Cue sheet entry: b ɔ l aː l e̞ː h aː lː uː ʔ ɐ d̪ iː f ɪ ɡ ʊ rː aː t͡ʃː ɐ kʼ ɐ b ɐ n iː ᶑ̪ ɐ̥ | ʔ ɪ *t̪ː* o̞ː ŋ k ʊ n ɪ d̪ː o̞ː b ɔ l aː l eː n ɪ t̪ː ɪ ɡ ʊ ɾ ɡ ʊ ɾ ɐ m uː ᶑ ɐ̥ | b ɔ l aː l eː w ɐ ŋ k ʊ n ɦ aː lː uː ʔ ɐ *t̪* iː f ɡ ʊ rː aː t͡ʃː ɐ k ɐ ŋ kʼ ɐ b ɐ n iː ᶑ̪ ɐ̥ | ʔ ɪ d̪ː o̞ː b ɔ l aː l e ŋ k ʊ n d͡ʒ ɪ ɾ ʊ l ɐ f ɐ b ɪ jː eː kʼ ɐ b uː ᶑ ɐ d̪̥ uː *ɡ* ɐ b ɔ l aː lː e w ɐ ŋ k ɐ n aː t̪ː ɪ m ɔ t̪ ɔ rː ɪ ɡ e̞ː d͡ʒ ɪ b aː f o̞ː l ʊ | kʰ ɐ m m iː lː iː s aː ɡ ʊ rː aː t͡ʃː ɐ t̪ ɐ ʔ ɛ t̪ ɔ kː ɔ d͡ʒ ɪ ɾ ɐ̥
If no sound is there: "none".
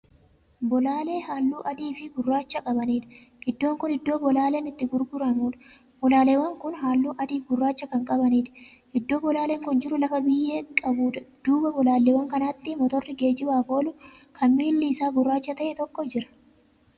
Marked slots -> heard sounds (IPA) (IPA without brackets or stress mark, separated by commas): d̪ː, d̪, b